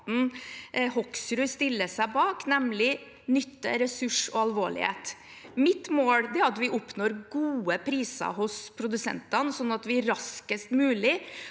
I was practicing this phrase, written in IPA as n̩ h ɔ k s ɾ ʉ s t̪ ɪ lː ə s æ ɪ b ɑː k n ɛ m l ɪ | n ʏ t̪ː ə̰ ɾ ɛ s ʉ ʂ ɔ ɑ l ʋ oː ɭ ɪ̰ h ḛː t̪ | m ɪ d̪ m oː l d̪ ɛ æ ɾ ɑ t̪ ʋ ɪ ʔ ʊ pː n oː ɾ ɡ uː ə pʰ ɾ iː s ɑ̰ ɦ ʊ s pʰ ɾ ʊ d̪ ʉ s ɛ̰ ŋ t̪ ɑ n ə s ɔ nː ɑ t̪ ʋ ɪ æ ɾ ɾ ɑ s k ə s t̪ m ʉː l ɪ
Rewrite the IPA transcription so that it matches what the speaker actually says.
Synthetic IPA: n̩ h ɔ k s ɾ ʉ s t̪ ɪ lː ə s æ ɪ b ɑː k n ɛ m l ɪ | n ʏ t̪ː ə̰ ɾ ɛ s ʉ ʂ ɔ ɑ l ʋ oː ɭ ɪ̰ h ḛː t̪ | m ɪ t̪ m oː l d̪ ɛ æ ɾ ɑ t̪ ʋ ɪ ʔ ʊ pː n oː ɾ ɡ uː ə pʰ ɾ iː s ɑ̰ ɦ ʊ s pʰ ɾ ʊ d̪ ʉ s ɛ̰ n t̪ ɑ n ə s ɔ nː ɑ t̪ ʋ ɪ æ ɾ ɾ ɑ s k ə s t̪ m ʉː l ɪ